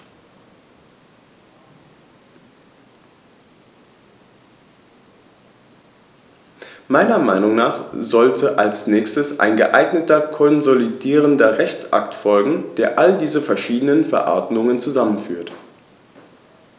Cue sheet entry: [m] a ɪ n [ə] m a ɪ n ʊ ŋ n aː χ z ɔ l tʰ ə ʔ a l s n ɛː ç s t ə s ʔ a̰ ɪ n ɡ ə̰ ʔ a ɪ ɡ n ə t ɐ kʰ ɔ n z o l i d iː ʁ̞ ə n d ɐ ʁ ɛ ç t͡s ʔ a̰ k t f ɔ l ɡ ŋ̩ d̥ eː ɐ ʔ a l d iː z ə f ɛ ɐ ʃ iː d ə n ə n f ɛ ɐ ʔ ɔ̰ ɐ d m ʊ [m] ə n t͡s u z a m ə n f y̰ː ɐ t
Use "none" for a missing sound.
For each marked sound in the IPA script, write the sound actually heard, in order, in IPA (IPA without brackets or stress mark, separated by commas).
m, ɐ, ŋ